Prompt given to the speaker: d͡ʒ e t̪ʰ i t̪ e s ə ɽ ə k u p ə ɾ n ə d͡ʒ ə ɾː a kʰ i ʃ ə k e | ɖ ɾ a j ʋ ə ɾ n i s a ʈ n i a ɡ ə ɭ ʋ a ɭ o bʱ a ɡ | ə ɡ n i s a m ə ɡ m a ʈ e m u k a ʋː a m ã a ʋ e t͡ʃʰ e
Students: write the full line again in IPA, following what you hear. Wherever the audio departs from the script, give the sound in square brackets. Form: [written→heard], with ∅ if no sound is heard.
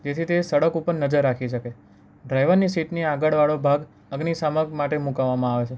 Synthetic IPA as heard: d͡ʒ e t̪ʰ i t̪ e s ə ɽ ə k u p ə ɾ n ə d͡ʒ ə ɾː a kʰ i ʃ ə k e | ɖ ɾ a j ʋ ə ɾ n i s [a→i] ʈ n i a ɡ ə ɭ ʋ a ɭ o bʱ a ɡ | ə ɡ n i s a m ə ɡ m a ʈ e m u k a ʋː a m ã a ʋ e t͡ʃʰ e